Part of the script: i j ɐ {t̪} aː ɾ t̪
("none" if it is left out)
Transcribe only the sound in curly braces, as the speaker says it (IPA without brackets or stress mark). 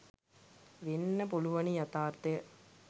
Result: t̪